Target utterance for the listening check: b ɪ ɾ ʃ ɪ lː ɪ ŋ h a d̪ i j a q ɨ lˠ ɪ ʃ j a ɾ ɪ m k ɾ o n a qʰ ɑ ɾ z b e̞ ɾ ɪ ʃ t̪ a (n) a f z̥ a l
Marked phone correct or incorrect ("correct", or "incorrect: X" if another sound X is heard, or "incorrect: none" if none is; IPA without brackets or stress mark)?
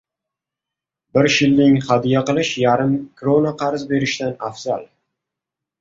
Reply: correct